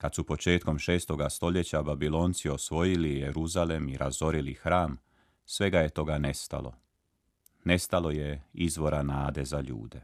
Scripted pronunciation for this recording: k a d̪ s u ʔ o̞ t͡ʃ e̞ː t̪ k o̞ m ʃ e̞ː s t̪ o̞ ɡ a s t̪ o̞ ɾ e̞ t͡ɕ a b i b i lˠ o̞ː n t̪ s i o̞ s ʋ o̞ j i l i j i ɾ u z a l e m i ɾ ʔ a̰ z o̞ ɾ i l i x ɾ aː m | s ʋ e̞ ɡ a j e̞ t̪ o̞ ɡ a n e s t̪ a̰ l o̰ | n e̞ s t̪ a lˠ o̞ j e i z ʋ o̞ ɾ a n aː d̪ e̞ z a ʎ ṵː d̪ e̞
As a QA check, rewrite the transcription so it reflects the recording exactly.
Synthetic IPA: k a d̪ s u p o̞ t͡ʃ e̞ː t̪ k o̞ m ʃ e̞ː s t̪ o̞ ɡ a s t̪ o̞ ʎ e̞ t͡ɕ a b a b i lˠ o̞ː n t̪ s i o̞ s ʋ o̞ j i l i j e ɾ u z a l e m i ɾ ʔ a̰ z o̞ ɾ i l i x ɾ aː m | s ʋ e̞ ɡ a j e̞ t̪ o̞ ɡ a n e s t̪ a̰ l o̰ | n e̞ s t̪ a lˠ o̞ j e i z ʋ o̞ ɾ a n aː d̪ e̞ z a ʎ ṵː d̪ e̞